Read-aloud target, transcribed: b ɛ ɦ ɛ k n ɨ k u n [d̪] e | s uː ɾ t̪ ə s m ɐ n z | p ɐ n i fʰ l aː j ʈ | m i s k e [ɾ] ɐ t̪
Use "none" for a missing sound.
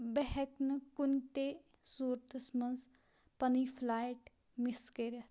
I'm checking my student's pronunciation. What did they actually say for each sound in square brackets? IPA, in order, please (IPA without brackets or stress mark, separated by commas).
t̪, ɾ